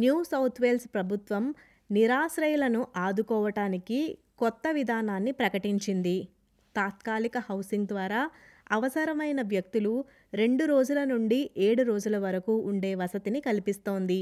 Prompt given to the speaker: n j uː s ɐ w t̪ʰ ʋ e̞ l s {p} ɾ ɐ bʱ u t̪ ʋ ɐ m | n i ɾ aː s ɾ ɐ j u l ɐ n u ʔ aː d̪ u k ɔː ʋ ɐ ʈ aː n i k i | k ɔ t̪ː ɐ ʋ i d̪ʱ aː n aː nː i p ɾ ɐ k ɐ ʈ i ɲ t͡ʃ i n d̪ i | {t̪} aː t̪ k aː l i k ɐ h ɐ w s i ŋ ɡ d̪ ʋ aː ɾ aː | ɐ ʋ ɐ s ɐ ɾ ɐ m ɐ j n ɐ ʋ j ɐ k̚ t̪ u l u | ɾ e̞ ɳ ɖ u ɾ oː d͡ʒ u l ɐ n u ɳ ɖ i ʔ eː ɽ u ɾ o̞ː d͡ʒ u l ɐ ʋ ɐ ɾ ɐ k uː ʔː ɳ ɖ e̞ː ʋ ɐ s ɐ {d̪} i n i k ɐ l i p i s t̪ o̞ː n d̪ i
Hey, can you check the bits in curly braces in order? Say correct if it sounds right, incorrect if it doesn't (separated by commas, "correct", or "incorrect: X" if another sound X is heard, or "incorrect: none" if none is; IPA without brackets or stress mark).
correct, correct, incorrect: t̪